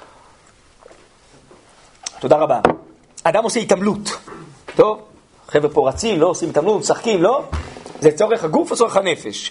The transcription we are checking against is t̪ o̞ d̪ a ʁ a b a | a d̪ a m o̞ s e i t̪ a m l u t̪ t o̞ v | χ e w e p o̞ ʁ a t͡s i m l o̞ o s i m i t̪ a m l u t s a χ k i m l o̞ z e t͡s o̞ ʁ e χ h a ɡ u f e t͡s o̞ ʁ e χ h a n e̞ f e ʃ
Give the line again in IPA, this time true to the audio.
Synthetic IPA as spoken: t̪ o̞ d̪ a ʁ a b a | a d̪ a m o̞ s e i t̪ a m l u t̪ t o̞ v | χ e v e p o̞ ʁ a t͡s i m l o̞ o s i m i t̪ a m l u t s a χ k i m l o̞ z e t͡s o̞ ʁ e χ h a ɡ u f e t͡s o̞ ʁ e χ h a n e̞ f e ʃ